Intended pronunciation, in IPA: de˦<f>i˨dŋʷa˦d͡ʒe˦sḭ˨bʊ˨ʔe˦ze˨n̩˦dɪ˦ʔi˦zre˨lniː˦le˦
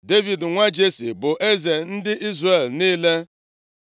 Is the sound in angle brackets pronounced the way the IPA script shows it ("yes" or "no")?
no